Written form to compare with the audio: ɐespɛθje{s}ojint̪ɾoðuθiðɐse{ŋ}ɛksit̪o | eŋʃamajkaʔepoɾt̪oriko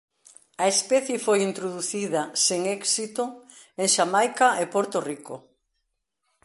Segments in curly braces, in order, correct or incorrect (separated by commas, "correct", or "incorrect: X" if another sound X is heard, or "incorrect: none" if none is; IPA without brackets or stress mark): incorrect: f, correct